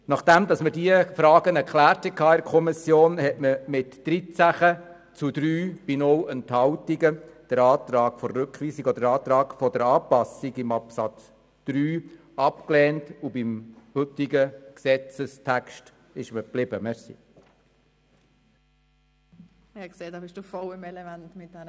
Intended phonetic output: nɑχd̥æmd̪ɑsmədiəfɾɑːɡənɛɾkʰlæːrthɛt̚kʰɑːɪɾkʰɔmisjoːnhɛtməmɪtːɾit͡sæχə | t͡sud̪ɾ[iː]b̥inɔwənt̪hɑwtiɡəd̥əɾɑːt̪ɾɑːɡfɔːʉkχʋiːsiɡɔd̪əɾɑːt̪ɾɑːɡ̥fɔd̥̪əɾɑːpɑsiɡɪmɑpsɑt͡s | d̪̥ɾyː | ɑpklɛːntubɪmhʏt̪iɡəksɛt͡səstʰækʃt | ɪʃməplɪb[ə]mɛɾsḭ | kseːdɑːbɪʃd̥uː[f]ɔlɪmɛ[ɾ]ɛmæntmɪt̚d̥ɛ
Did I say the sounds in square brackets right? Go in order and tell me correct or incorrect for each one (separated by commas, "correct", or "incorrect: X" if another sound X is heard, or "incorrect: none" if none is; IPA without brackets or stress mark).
incorrect: yː, correct, correct, incorrect: l